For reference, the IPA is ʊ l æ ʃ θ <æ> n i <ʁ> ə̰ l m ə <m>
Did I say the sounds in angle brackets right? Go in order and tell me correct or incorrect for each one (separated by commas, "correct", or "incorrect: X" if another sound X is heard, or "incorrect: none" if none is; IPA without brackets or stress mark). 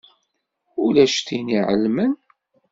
incorrect: i, incorrect: ʕ, incorrect: n